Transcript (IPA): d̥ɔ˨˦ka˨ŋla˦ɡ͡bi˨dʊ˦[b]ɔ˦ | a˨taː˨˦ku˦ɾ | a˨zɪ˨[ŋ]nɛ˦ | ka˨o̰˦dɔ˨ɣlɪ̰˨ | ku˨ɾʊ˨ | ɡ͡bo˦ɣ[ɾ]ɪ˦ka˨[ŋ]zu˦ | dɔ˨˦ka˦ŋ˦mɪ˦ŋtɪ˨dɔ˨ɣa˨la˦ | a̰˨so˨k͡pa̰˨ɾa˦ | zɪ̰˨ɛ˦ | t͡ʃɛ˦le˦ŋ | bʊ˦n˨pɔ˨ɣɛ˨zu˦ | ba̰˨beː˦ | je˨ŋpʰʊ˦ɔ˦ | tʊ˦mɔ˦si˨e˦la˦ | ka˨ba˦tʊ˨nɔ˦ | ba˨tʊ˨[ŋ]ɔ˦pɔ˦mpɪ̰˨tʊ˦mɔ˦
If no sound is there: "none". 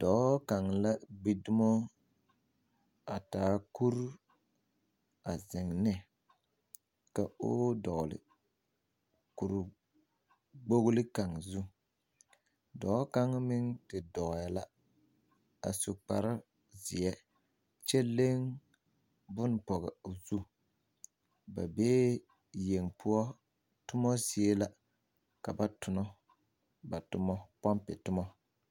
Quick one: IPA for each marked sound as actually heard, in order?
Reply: m, ŋ, l, ŋ, m

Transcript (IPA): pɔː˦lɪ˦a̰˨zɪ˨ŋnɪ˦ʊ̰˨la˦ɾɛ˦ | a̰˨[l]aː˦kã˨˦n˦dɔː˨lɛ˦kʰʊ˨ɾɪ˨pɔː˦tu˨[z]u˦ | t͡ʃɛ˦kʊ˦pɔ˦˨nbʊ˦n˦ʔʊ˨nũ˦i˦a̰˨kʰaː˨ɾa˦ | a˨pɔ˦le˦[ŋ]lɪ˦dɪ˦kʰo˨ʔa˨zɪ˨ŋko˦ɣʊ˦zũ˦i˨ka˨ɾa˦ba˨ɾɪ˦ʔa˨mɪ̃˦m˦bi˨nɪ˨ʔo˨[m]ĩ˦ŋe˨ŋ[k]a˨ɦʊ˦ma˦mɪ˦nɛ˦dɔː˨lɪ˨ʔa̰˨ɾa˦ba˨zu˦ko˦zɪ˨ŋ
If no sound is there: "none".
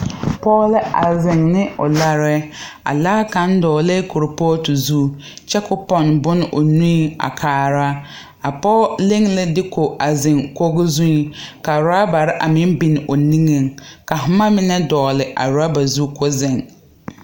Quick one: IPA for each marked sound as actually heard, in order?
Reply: l, z, ŋ, n, k

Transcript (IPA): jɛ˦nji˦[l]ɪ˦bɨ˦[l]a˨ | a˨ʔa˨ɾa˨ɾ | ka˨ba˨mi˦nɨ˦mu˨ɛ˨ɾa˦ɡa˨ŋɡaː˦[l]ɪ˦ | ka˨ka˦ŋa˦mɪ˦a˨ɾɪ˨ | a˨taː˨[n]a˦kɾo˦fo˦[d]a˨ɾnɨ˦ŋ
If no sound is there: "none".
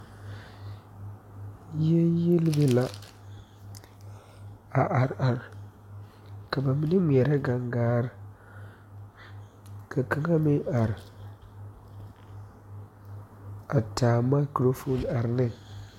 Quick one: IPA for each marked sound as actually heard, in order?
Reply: l, l, ɾ, m, n

